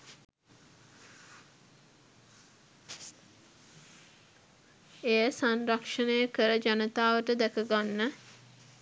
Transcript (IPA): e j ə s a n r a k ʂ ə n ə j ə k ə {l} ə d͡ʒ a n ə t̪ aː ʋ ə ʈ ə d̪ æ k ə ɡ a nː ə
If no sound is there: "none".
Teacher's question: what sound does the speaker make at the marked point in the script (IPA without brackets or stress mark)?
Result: ɾ